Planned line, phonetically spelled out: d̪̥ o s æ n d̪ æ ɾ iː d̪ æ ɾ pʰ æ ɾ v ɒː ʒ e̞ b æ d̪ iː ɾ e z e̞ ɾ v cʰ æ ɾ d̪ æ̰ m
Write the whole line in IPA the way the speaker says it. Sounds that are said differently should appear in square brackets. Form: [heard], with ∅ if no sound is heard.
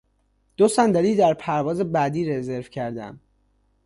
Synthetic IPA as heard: d̪̥ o s æ n d̪ æ ɾ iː d̪ æ ɾ pʰ æ ɾ v ɒː [z] e̞ b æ d̪ iː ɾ e z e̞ ɾ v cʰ æ ɾ d̪ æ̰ m